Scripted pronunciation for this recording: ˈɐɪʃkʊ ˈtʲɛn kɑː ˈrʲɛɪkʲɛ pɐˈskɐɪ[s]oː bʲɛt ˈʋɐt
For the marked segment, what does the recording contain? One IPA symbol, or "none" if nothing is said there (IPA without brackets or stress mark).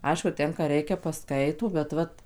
t